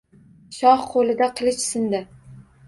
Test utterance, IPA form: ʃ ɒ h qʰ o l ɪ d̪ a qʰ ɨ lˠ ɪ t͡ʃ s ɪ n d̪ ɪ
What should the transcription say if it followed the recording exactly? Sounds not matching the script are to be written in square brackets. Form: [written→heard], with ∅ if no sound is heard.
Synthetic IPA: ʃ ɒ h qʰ o l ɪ d̪ a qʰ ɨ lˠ ɪ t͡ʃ s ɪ n d̪ ɪ